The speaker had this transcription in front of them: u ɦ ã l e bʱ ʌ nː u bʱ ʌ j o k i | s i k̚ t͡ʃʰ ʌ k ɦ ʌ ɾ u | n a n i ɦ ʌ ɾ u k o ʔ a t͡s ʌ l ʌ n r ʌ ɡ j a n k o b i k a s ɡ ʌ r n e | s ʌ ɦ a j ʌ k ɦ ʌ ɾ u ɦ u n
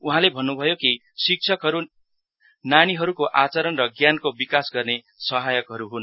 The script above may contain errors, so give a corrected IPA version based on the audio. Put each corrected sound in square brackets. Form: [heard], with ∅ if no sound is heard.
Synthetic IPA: u ɦ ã l e bʱ ʌ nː u bʱ ʌ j o k i | s i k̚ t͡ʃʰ ʌ k ɦ ʌ ɾ u | n a n i ɦ ʌ ɾ u k o ʔ a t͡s ʌ [ɾ] ʌ n r ʌ ɡ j a n k o b i k a s ɡ ʌ r n e | s ʌ ɦ a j ʌ k ɦ ʌ ɾ u ɦ u n